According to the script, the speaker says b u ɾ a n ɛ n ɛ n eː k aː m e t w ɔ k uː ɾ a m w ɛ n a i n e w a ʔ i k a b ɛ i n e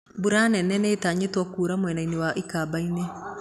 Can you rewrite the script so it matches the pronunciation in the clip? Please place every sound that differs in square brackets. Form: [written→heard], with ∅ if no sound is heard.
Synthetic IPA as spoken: b u ɾ a n ɛ n ɛ n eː [k→t] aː [m→ɲ] e t w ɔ k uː ɾ a m w ɛ n a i n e w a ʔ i k a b [ɛ→a] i n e